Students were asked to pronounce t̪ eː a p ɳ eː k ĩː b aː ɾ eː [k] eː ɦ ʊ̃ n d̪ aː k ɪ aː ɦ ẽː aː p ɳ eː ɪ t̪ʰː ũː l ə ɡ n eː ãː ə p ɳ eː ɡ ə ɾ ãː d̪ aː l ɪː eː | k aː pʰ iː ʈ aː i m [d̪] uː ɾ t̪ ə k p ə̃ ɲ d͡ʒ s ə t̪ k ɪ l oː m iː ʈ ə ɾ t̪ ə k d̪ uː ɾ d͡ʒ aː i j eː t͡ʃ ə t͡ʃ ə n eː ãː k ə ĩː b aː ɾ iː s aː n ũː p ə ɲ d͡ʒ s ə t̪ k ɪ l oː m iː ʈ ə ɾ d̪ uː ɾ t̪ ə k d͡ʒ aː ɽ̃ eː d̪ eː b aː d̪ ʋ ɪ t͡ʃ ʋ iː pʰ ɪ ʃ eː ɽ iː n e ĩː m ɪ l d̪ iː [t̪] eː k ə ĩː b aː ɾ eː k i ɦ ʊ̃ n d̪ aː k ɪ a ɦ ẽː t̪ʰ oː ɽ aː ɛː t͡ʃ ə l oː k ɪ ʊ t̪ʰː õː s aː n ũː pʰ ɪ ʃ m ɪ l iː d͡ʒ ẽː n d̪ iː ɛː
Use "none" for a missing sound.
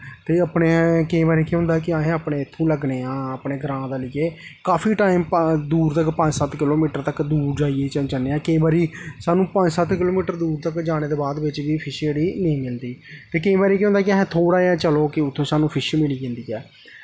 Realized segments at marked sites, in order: k, d̪, t̪

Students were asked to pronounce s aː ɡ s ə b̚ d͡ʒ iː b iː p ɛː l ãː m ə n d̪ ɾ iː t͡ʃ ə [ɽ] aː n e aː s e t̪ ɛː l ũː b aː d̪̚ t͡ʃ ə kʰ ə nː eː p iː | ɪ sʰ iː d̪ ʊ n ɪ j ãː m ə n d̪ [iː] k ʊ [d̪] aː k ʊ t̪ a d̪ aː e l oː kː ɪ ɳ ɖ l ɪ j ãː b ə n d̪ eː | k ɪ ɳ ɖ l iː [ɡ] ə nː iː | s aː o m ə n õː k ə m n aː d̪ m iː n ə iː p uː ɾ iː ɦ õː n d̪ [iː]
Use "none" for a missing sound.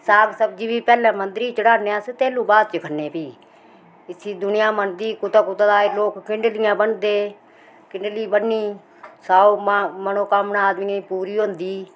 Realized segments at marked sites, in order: ɽ, iː, t̪, b, iː

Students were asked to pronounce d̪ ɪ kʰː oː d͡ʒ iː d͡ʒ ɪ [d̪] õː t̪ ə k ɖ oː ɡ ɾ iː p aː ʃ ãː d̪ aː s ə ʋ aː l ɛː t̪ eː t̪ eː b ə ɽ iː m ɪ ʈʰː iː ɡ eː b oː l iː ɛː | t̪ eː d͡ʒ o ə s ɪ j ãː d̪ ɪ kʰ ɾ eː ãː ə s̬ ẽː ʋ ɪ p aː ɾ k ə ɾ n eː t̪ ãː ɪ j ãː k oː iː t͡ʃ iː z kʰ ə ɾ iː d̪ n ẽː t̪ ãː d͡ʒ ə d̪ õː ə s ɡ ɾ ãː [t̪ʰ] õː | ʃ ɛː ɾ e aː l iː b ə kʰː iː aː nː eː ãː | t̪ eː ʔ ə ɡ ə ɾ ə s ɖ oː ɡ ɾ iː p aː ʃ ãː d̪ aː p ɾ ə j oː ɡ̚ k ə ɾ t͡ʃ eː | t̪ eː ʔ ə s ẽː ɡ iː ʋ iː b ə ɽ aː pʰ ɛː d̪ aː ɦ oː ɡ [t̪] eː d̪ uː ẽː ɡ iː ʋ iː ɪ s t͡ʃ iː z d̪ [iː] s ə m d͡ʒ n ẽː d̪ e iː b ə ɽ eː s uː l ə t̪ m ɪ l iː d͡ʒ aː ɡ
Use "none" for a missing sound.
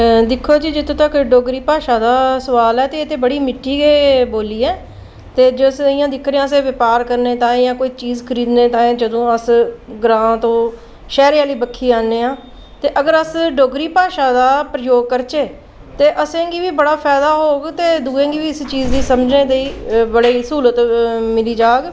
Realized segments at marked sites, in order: t̪, t̪, t̪, iː

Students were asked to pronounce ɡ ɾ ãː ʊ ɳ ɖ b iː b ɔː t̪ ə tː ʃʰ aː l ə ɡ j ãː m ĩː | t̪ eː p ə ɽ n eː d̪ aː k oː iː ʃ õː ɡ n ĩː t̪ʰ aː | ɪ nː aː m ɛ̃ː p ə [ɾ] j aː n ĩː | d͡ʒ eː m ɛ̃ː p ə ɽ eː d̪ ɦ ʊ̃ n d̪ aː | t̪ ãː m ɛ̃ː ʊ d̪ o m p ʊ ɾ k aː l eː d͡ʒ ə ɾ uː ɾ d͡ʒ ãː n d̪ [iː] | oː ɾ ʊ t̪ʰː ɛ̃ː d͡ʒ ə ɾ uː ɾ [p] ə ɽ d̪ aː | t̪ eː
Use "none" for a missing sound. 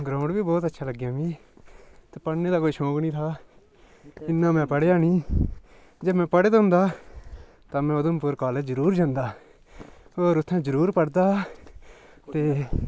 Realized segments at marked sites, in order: ɽ, aː, p

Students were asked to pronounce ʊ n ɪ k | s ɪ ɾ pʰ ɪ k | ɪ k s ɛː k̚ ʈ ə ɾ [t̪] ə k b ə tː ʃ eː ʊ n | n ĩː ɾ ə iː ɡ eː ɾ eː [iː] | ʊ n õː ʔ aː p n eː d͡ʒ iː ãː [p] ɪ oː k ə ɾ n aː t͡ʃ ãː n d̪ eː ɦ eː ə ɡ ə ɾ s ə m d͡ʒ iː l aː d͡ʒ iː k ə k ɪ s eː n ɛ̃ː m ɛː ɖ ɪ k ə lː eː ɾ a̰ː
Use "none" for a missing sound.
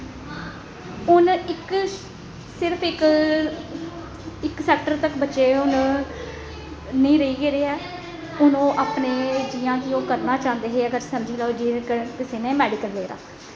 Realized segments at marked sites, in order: t̪, ɛː, k

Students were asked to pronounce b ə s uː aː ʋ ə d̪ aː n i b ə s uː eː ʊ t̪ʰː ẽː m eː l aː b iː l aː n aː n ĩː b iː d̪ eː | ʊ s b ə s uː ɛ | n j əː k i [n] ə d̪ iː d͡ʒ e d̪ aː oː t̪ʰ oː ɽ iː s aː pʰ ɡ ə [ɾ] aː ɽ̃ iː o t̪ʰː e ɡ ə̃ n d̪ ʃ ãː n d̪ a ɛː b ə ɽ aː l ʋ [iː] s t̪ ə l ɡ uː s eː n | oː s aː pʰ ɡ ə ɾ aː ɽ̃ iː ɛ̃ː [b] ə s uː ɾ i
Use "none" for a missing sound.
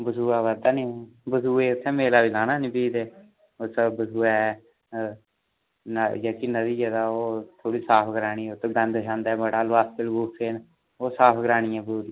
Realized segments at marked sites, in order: n, ɾ, aː, b

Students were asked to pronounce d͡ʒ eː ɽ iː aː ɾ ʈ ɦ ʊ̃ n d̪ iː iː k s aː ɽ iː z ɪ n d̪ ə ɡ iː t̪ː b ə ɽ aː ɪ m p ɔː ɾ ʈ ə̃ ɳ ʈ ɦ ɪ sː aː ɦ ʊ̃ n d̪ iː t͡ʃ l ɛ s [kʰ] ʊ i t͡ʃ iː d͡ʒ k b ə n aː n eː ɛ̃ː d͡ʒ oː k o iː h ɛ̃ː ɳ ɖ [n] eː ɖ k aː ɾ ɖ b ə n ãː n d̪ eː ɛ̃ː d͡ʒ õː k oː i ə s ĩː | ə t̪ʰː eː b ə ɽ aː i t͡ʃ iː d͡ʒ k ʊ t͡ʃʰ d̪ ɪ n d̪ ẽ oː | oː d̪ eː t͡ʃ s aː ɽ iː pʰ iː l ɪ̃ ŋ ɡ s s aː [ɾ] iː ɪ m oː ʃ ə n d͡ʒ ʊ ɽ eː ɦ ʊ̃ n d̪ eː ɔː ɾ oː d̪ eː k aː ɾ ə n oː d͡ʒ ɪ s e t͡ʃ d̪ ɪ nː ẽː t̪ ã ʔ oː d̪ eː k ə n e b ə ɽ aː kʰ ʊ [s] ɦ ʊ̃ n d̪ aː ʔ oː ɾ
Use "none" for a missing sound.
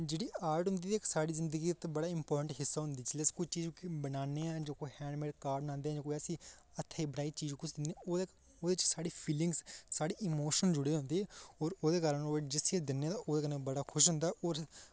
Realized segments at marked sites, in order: k, m, ɽ, ʃ

